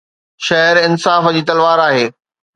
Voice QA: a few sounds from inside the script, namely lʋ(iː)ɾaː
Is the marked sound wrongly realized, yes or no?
yes